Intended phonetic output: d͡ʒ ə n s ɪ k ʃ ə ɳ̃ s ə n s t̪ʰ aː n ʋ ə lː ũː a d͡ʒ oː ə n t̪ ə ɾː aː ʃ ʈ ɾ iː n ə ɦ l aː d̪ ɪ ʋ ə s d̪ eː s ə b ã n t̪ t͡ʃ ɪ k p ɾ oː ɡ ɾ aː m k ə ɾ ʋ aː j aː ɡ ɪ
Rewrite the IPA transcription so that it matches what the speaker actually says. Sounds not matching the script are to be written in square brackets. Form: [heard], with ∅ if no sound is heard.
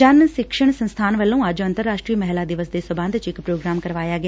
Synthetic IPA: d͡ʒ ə n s ɪ k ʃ ə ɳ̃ s ə n s t̪ʰ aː n ʋ ə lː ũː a d͡ʒ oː ə n t̪ ə ɾː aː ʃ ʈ ɾ iː [m] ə ɦ l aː d̪ ɪ ʋ ə s d̪ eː s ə b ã n [d̪] t͡ʃ ɪ k p ɾ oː ɡ ɾ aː m k ə ɾ ʋ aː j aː ɡ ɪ